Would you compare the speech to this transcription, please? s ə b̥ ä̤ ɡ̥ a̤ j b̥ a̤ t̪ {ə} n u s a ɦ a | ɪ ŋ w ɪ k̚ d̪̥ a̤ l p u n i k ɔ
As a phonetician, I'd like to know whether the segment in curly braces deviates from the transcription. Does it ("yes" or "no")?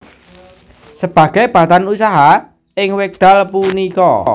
yes